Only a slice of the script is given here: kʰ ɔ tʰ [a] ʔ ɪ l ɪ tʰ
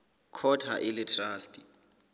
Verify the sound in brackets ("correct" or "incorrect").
correct